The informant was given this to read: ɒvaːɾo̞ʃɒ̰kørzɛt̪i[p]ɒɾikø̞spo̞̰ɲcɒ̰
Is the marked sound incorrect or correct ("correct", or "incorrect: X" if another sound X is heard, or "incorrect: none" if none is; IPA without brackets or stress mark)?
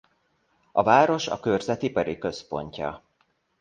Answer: correct